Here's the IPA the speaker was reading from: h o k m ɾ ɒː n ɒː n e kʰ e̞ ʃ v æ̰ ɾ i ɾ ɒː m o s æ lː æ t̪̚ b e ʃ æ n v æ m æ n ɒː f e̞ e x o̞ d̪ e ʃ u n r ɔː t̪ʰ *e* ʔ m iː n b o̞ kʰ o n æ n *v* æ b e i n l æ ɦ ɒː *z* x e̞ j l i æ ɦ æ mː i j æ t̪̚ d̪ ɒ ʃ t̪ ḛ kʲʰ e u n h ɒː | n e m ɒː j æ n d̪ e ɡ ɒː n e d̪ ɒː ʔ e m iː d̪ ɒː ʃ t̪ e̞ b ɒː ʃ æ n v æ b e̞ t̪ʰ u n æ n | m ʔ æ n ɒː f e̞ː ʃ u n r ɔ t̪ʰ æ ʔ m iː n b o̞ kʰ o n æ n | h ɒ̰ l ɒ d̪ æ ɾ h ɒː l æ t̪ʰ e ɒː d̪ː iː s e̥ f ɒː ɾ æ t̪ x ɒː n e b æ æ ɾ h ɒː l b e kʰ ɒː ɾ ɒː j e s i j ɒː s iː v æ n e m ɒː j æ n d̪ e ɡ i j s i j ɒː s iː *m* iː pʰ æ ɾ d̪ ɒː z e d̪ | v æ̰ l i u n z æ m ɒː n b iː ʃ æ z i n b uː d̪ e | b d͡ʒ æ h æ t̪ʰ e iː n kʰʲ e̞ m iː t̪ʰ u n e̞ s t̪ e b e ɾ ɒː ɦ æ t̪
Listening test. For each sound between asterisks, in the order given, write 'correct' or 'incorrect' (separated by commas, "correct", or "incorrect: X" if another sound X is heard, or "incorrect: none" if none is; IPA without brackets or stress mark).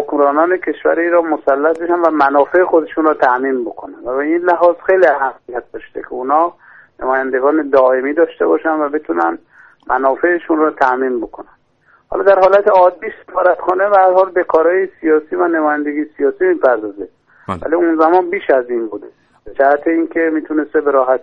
incorrect: æ, correct, correct, correct